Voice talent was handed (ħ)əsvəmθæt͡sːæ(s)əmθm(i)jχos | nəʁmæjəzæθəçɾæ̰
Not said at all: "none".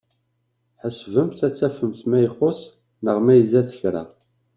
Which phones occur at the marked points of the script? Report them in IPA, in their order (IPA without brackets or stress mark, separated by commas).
ħ, f, æ